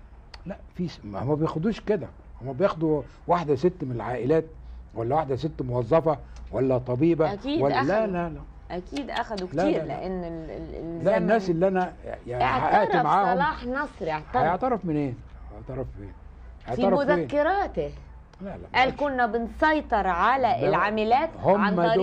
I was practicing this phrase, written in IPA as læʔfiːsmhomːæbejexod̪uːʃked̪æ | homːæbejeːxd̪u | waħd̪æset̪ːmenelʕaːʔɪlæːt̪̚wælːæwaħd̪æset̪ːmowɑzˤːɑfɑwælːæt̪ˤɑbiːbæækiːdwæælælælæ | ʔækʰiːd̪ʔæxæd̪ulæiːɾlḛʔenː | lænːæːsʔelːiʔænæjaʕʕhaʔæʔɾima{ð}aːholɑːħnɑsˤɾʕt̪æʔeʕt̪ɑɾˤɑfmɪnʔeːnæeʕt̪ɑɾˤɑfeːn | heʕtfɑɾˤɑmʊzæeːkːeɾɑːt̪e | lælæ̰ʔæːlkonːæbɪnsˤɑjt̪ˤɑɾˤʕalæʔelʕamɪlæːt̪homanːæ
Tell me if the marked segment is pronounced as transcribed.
no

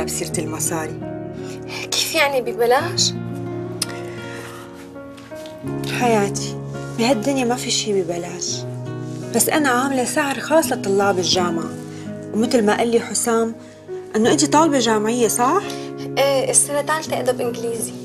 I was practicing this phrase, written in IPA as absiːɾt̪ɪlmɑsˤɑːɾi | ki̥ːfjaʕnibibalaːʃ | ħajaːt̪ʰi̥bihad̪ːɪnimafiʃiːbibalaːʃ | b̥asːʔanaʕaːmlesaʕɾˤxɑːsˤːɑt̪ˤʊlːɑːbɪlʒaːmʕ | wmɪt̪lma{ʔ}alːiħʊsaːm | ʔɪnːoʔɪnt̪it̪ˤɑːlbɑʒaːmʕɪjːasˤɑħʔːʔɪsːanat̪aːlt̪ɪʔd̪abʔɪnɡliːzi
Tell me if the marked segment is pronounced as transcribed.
yes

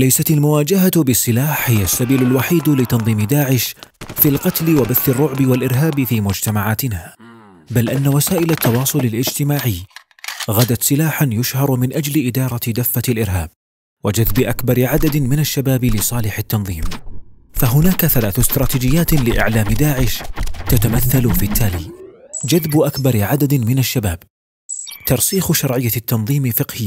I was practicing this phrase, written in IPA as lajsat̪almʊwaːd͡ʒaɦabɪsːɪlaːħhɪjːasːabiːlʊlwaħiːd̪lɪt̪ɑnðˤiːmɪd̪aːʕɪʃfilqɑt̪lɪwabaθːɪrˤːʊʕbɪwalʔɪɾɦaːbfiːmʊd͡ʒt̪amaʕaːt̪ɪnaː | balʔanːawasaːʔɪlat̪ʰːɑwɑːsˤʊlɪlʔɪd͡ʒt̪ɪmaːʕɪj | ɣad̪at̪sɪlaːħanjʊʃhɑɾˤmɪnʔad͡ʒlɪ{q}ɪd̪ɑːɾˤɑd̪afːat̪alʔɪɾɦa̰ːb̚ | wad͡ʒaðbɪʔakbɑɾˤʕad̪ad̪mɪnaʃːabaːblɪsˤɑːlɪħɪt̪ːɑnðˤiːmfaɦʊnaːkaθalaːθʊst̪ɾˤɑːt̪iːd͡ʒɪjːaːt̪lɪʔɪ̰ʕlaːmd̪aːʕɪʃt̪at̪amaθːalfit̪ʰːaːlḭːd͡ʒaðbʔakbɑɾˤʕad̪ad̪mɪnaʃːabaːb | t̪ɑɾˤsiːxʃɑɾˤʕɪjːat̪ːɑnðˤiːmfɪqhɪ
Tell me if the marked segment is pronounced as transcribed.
no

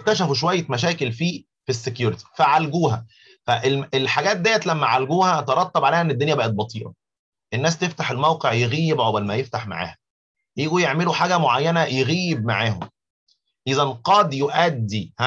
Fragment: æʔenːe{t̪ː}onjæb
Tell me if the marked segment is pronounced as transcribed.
no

